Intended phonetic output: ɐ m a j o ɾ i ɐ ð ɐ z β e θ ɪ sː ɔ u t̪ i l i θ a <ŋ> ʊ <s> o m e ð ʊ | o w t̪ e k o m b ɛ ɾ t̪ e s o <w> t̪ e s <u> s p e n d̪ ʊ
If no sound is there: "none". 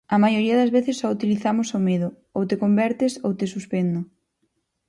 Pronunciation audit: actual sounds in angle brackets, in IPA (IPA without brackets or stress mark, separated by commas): m, s, w, u